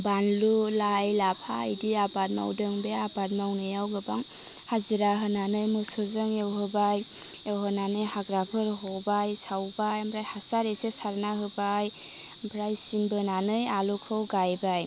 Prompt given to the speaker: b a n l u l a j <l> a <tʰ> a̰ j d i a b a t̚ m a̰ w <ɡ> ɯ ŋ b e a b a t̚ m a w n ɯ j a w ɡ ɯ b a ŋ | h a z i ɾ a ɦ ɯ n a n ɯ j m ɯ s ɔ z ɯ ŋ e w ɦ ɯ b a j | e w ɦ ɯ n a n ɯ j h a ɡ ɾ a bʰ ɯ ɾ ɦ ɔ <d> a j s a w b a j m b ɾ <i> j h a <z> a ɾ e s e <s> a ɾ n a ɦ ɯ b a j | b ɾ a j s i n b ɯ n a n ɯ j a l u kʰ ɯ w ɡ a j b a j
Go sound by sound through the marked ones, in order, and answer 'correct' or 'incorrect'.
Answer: correct, incorrect: pʰ, incorrect: d, incorrect: b, incorrect: a, incorrect: s, correct

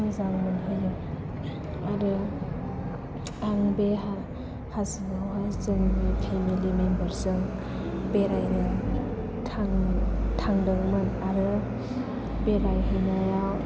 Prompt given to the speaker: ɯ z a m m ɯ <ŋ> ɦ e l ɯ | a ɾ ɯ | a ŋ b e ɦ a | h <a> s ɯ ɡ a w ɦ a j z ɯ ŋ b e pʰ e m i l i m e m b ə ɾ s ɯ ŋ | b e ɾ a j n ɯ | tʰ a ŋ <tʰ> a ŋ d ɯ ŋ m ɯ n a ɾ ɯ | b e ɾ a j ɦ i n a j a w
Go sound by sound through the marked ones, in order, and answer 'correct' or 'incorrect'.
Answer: incorrect: n, correct, correct

